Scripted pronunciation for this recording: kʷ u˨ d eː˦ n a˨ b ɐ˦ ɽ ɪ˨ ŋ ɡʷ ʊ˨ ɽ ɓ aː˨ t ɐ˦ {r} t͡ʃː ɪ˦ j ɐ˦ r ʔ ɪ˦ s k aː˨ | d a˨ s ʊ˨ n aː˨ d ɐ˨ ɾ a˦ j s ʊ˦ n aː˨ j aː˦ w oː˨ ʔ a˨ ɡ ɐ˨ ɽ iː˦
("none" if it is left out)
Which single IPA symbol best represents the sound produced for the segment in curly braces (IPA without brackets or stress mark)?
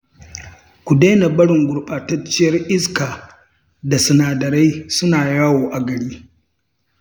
none